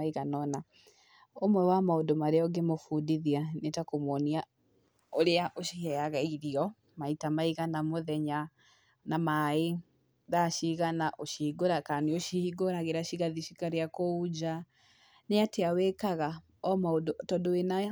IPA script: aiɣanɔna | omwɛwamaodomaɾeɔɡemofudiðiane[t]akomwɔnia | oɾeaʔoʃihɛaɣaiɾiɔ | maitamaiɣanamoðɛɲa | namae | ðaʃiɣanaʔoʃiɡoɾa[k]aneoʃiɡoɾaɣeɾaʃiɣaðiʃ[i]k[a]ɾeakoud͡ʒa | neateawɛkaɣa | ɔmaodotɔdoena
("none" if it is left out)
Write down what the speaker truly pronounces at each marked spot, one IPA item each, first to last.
t, k, i, a

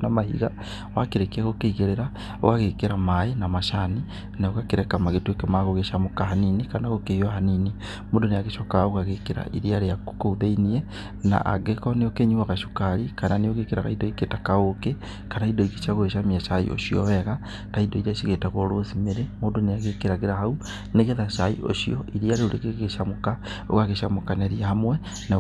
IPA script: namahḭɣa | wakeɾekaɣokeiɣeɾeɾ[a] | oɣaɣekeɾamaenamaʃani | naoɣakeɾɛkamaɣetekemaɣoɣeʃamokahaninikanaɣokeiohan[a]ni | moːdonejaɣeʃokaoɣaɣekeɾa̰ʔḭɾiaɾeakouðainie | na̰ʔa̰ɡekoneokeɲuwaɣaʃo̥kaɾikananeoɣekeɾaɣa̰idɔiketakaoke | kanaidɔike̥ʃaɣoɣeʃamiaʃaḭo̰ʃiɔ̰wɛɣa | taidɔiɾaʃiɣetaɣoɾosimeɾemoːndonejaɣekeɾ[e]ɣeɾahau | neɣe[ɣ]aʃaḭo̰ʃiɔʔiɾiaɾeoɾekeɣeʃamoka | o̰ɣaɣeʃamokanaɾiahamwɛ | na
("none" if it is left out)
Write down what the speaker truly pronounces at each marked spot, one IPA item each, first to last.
a, i, a, ð

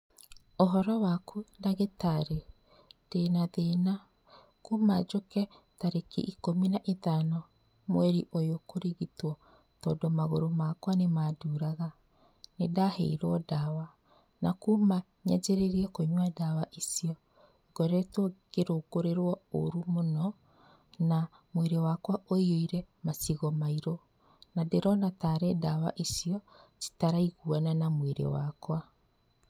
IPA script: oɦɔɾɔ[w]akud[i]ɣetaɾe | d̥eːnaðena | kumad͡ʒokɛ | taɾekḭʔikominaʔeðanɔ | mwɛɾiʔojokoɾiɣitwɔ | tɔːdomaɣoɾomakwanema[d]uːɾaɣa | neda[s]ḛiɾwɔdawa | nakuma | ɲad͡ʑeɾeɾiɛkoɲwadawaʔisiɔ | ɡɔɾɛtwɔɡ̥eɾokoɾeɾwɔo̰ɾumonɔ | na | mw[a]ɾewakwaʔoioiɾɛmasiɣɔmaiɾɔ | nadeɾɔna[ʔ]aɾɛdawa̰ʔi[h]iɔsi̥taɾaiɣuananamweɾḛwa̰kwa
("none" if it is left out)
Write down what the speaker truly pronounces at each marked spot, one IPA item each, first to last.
w, a, d, h, e, t, s

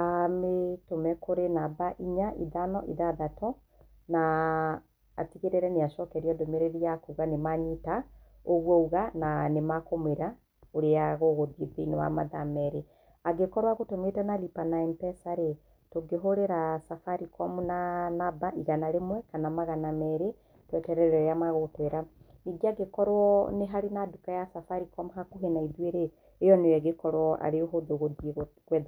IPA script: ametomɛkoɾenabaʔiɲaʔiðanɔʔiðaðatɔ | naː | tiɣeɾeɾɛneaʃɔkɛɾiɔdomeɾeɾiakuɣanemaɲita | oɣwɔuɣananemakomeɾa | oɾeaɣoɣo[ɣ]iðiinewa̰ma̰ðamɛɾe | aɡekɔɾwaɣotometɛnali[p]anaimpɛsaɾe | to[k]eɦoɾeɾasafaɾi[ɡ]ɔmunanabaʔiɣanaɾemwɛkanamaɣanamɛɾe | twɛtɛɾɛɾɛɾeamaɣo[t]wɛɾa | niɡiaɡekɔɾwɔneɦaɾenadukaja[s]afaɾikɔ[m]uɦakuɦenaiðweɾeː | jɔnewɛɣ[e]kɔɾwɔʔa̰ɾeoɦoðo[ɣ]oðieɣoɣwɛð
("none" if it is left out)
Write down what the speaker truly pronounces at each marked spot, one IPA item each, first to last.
ð, p, ɡ, k, t, s, m, e, ɣ

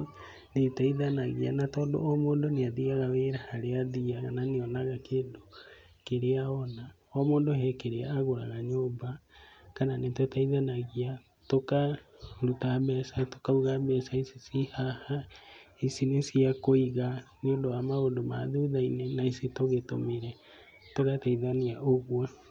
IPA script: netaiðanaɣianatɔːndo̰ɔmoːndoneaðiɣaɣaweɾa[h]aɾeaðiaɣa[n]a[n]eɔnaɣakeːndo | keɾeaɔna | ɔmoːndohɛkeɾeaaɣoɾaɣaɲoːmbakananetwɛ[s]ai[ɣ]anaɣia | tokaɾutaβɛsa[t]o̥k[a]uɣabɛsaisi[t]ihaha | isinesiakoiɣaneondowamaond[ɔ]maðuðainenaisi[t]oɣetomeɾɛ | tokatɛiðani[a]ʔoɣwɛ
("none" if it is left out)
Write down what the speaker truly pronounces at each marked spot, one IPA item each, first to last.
h, n, n, t, ð, t, a, s, o, t, a

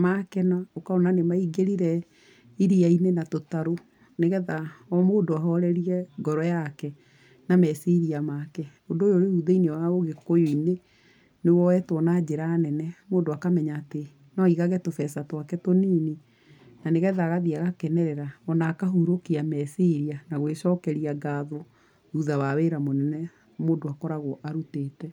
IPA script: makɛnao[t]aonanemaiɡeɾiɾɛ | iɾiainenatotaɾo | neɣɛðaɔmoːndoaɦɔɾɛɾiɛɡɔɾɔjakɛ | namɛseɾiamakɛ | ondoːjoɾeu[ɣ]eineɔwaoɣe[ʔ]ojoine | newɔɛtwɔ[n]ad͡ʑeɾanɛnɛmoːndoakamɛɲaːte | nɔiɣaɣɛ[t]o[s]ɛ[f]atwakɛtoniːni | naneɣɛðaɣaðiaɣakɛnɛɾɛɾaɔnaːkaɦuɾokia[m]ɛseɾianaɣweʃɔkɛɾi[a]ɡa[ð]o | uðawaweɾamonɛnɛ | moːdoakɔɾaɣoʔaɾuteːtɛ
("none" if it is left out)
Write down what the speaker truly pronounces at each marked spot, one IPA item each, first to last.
k, ð, k, n, t, f, s, m, a, ð

